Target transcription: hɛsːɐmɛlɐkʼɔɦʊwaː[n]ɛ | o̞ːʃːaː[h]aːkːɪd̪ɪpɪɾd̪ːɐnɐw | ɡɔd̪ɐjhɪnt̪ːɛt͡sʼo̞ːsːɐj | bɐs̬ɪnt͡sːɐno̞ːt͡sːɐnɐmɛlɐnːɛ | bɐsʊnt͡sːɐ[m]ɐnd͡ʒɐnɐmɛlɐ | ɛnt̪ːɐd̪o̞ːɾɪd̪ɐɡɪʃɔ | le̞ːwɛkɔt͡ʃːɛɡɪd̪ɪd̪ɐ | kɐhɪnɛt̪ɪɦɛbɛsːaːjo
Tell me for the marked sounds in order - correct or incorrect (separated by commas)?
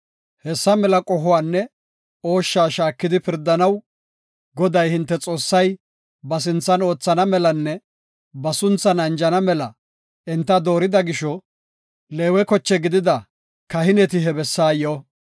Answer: incorrect, incorrect, incorrect